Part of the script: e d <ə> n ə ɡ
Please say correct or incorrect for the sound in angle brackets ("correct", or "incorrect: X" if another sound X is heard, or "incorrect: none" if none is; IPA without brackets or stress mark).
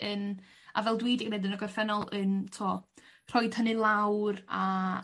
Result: correct